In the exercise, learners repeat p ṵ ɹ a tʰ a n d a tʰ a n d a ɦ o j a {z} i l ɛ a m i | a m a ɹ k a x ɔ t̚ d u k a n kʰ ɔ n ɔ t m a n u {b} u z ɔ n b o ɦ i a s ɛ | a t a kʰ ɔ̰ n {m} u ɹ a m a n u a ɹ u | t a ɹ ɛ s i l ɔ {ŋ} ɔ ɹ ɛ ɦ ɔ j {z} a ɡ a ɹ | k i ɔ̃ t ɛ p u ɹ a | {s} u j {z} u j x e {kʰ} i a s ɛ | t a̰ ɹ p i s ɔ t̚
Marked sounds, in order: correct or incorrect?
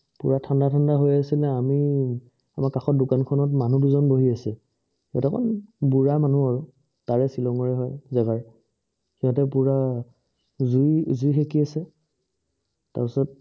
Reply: incorrect: s, incorrect: d, incorrect: b, correct, correct, incorrect: z, correct, incorrect: k

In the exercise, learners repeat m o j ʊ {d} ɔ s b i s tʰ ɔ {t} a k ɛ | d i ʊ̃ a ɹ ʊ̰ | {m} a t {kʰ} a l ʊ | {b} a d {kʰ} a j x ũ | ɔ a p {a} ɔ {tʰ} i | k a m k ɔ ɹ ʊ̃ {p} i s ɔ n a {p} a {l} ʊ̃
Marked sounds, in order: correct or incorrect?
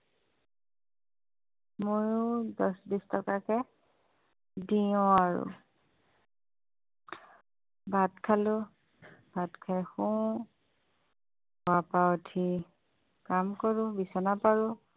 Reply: correct, incorrect: k, incorrect: b, correct, correct, correct, correct, correct, incorrect: b, correct, incorrect: ɹ

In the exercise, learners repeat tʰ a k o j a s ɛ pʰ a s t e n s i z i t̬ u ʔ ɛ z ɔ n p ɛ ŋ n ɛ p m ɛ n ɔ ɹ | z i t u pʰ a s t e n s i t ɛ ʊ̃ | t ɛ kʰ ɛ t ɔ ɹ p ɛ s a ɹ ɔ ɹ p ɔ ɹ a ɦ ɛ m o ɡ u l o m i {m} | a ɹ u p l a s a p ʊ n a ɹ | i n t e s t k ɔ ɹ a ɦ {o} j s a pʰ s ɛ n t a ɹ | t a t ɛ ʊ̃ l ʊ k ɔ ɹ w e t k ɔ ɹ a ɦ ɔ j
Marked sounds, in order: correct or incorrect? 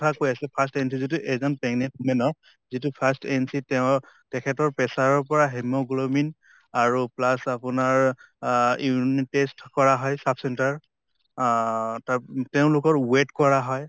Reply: incorrect: n, incorrect: ɔ

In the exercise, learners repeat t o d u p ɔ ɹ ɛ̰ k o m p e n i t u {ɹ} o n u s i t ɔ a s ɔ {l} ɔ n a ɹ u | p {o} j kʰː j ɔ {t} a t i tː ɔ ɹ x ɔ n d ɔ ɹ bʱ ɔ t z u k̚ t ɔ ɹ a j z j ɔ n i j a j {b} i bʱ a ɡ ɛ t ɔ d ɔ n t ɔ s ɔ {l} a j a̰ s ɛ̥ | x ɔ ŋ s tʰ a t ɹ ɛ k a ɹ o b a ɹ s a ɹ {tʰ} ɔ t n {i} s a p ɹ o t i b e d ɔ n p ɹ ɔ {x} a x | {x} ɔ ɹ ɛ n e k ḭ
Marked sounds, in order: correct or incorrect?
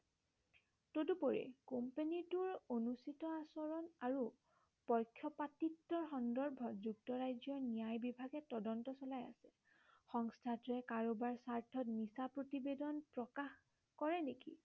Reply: correct, incorrect: ɹ, incorrect: ɔ, incorrect: p, correct, correct, correct, correct, incorrect: k, incorrect: k

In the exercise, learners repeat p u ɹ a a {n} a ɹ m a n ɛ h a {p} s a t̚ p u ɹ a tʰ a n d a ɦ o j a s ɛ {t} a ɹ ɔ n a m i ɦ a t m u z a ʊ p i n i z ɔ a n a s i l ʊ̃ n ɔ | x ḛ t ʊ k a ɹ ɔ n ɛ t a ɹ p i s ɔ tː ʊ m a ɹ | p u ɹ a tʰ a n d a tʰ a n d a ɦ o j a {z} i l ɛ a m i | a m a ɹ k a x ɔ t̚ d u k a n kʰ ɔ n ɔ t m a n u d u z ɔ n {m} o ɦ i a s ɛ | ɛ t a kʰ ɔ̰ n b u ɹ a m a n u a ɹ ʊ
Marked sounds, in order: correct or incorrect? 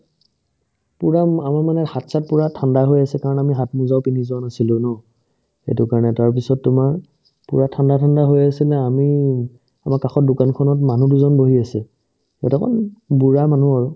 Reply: incorrect: m, incorrect: t, incorrect: k, incorrect: s, incorrect: b

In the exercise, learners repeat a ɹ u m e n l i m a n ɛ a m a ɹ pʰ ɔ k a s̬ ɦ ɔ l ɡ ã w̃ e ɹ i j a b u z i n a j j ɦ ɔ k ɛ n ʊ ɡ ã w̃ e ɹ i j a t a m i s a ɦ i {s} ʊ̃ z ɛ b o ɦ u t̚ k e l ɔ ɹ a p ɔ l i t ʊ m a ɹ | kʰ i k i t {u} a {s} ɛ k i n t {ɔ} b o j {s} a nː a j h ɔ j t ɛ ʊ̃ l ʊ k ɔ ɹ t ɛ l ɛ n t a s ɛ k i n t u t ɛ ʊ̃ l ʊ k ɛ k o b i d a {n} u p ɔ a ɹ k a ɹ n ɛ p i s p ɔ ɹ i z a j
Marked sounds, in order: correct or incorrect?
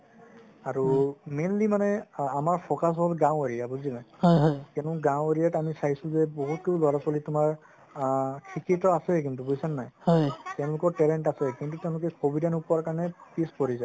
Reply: correct, incorrect: ɔ, correct, incorrect: u, correct, correct

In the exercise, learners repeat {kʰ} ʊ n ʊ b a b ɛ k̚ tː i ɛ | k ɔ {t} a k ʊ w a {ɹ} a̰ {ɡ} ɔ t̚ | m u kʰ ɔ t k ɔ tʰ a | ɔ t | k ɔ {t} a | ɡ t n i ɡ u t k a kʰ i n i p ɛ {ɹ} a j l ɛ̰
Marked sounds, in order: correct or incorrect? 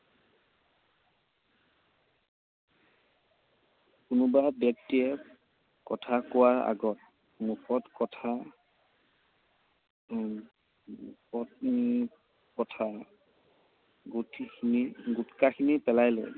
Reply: incorrect: k, incorrect: tʰ, correct, correct, incorrect: tʰ, incorrect: l

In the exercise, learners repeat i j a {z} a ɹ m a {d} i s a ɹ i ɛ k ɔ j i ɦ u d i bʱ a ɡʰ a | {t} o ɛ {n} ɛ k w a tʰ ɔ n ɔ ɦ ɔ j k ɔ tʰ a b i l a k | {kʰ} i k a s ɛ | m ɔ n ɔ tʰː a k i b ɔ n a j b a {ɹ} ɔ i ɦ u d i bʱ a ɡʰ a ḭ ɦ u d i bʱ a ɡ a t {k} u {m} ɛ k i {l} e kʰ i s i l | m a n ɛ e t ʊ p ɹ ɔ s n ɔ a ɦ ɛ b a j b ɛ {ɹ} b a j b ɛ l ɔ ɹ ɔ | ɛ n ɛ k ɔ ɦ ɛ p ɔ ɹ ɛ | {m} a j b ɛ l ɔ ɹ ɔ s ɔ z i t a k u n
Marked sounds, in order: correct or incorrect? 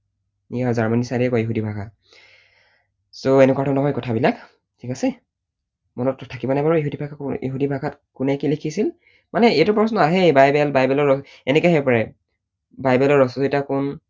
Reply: correct, incorrect: n, incorrect: s, correct, incorrect: tʰ, correct, correct, incorrect: n, correct, incorrect: l, incorrect: b

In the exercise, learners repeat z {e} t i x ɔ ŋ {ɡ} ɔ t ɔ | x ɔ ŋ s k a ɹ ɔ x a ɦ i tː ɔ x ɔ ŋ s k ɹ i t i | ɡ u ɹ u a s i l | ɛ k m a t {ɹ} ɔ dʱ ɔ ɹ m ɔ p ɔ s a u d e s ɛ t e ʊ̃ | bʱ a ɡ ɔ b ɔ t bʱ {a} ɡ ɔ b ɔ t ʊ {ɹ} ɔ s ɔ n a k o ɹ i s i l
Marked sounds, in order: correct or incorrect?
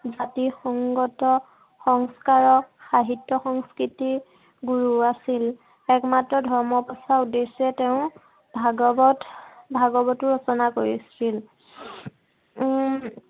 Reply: incorrect: a, correct, correct, correct, correct

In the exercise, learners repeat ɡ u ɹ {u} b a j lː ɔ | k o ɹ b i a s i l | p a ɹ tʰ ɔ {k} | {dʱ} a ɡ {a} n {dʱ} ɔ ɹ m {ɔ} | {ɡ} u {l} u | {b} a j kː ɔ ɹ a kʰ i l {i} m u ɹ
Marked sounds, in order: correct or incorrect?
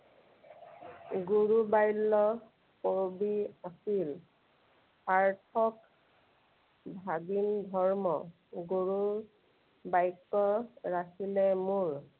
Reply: correct, correct, incorrect: bʱ, incorrect: i, correct, correct, correct, incorrect: ɹ, correct, incorrect: ɛ

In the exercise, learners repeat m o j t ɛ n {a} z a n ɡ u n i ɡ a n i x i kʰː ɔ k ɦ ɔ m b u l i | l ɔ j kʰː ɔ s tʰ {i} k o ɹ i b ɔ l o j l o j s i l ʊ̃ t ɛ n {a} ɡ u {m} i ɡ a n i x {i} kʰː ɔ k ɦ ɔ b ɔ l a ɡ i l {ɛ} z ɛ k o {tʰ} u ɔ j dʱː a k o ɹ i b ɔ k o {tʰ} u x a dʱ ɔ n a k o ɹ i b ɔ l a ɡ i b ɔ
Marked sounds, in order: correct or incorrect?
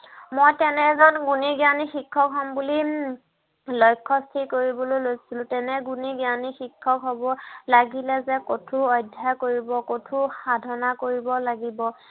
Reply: incorrect: ɛ, correct, incorrect: ɛ, incorrect: n, correct, correct, correct, correct

